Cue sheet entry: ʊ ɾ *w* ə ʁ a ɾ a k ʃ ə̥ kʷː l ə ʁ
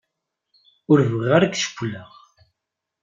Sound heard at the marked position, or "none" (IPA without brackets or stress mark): v